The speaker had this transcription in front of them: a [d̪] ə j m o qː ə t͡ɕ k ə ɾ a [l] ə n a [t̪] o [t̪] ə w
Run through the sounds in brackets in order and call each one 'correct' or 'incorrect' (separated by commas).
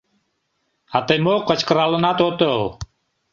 incorrect, correct, correct, correct